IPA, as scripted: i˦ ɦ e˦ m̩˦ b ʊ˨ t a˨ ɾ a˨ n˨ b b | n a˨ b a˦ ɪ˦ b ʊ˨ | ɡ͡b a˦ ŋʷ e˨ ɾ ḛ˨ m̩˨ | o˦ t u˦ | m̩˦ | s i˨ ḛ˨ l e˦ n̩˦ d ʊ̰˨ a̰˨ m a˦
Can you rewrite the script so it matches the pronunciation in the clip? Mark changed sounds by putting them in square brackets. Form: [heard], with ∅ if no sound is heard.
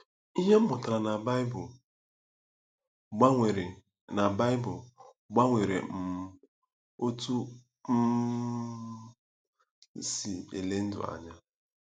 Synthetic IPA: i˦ ɦ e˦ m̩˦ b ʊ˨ t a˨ ɾ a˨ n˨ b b | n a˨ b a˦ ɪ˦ b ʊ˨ | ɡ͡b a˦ ŋʷ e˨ ɾ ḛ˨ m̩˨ | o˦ t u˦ | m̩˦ | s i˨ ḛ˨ l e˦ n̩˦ d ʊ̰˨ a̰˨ [ɲ] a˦